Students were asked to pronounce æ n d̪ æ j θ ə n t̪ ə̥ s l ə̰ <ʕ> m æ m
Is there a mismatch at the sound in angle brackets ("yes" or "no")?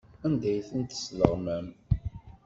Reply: yes